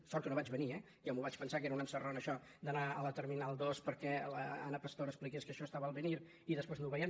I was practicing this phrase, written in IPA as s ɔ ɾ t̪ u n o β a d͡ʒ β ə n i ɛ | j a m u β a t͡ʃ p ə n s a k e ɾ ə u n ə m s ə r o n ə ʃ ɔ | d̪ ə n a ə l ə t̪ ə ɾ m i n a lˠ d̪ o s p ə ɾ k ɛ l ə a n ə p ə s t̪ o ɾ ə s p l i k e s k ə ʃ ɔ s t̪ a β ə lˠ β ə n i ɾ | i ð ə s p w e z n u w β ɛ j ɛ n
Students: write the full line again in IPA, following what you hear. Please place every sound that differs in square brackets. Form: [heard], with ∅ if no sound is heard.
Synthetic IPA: s ɔ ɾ t̪ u n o β a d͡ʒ β ə n i ɛ | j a m u β a t͡ʃ p ə n s a k e ɾ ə u n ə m s ə r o n ə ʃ ɔ | d̪ ə n a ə l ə t̪ ə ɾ m i n a lˠ d̪ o s p ə ɾ k ɛ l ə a n ə p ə s t̪ o ɾ ə s p l i k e s k ə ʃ ɔ s t̪ a β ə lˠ β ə n i ɾ | i ð ə s p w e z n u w β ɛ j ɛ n